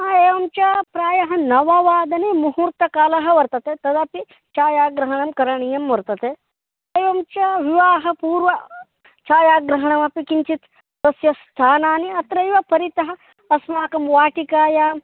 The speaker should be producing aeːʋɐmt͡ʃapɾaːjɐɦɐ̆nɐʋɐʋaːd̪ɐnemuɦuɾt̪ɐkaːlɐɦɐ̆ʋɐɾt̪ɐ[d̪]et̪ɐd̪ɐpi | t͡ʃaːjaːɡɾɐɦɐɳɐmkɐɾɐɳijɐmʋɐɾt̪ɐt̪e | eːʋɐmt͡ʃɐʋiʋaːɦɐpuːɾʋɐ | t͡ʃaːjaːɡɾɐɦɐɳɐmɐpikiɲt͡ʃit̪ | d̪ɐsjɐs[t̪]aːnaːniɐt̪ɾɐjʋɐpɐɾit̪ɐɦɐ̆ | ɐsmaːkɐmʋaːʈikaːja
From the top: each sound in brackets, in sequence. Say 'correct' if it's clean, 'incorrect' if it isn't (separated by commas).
incorrect, incorrect